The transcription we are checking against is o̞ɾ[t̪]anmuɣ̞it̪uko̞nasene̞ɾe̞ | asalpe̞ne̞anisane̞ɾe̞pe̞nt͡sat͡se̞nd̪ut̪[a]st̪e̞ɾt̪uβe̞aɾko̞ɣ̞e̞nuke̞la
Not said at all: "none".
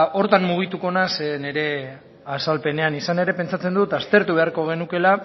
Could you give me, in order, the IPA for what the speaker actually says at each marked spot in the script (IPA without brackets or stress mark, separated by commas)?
t̪, a